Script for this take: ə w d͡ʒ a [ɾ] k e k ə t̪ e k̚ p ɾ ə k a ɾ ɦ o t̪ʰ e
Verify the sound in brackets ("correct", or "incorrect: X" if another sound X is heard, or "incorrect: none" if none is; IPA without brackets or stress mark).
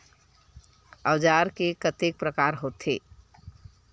correct